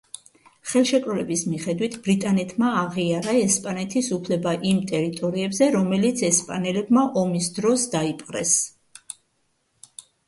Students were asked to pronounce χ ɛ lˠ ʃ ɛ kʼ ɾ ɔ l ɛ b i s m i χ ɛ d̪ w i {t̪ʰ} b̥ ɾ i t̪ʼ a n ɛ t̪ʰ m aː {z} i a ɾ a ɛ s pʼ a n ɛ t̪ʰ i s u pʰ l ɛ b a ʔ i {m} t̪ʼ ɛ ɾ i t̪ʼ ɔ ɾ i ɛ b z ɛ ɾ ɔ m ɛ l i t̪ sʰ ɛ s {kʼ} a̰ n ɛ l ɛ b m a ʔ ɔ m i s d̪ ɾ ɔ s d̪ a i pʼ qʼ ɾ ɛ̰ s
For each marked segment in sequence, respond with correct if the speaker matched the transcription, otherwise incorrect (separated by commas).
correct, incorrect, correct, incorrect